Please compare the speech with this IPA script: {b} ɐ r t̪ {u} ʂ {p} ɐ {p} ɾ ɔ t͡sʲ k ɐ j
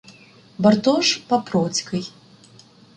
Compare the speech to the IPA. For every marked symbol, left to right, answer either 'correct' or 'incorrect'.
correct, incorrect, correct, correct

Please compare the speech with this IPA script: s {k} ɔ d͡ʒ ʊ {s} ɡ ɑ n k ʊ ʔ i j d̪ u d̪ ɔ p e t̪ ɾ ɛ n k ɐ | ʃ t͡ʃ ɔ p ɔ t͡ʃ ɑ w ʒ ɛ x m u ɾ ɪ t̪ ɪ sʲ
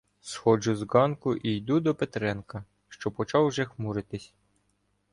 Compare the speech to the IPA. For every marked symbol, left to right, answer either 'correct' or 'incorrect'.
incorrect, incorrect

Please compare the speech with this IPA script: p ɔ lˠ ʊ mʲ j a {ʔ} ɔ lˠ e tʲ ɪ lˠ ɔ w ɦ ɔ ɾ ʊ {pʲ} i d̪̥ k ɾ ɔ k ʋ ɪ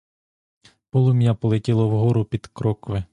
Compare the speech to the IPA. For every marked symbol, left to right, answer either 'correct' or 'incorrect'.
incorrect, correct

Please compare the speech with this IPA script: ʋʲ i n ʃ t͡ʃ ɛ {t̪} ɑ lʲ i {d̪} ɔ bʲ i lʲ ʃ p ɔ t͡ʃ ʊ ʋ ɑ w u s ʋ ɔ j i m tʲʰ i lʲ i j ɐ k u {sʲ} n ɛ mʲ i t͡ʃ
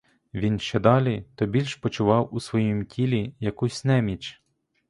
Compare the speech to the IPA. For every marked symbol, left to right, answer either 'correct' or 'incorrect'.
incorrect, incorrect, correct

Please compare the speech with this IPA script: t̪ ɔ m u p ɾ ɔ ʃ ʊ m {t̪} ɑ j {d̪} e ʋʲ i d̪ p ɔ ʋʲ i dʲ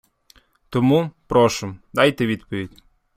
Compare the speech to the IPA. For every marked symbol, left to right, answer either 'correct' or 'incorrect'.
incorrect, incorrect

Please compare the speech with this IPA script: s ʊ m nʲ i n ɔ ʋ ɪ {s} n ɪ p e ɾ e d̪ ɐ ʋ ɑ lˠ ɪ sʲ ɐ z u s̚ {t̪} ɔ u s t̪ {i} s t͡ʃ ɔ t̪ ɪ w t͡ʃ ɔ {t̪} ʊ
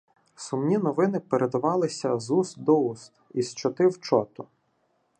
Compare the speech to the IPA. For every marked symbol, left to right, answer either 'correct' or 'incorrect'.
incorrect, incorrect, correct, correct

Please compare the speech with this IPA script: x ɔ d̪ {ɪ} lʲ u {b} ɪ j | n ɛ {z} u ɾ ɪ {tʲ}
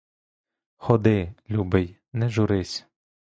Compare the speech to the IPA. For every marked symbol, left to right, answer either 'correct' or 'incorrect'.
correct, correct, incorrect, incorrect

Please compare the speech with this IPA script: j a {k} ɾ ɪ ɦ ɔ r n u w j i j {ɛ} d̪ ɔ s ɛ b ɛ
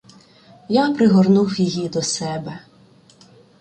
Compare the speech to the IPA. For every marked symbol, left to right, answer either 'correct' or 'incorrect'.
incorrect, incorrect

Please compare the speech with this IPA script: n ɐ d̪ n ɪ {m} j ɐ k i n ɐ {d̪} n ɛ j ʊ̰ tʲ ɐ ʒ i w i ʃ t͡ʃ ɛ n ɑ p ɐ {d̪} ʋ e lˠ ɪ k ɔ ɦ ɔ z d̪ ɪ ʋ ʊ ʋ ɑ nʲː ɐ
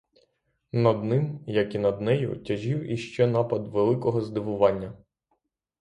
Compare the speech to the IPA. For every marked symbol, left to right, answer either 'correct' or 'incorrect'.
correct, correct, correct

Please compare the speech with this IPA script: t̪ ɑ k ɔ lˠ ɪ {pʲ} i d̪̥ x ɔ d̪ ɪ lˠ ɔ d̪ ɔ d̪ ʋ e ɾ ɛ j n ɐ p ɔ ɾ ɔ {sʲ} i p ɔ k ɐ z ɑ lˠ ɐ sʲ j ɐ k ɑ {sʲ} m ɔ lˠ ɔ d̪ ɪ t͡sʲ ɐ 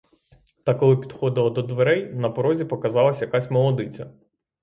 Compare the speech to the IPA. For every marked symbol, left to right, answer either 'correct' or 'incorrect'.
correct, incorrect, correct

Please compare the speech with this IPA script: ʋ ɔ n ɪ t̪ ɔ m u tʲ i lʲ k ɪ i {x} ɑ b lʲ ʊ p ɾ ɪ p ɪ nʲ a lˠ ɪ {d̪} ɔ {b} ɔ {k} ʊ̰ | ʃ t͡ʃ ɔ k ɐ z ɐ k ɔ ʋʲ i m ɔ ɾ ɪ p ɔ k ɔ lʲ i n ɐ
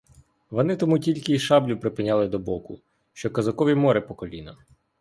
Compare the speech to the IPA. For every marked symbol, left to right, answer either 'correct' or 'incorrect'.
incorrect, correct, correct, correct

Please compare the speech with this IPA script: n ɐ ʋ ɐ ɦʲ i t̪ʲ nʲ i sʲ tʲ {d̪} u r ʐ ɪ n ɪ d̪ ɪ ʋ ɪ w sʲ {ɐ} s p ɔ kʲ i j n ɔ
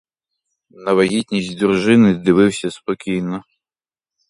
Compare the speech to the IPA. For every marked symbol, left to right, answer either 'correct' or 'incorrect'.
correct, correct

